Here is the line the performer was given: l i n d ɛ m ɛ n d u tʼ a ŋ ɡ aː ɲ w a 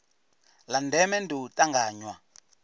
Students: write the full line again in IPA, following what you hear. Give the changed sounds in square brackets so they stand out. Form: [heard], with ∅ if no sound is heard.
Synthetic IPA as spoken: l [a] n d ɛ m ɛ n d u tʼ a ŋ ɡ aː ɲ w a